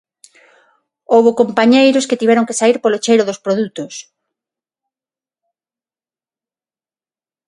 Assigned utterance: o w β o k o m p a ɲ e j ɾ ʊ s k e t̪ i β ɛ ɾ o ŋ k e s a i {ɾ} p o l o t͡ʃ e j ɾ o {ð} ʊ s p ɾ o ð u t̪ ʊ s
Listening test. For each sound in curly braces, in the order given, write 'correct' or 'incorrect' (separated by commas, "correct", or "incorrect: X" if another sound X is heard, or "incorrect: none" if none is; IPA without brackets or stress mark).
correct, correct